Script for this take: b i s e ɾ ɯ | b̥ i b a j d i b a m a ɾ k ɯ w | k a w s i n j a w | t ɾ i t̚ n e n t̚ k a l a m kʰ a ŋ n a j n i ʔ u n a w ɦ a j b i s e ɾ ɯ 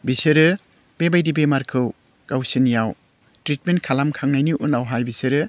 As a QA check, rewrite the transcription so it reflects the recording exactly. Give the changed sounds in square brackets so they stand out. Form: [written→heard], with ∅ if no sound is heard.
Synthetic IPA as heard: b i s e ɾ ɯ | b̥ [i→e] b a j d i b [a→e] m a ɾ [k→kʰ] ɯ w | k a w s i n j a w | t ɾ i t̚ [n→m] e n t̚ [k→kʰ] a l a m kʰ a ŋ n a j n i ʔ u n a w ɦ a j b i s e ɾ ɯ